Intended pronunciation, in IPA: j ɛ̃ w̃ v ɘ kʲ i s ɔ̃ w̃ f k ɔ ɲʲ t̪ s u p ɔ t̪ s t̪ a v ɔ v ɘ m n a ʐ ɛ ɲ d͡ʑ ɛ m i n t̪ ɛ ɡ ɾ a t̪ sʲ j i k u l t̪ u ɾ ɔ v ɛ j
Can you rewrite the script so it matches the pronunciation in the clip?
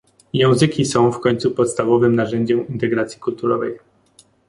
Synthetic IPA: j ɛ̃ w̃ z ɘ kʲ i s ɔ̃ w̃ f k ɔ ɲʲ t̪ s u p ɔ t̪ s t̪ a v ɔ v ɘ m n a ʐ ɛ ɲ d͡ʑ ɛ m i n t̪ ɛ ɡ ɾ a t̪ sʲ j i k u l t̪ u ɾ ɔ v ɛ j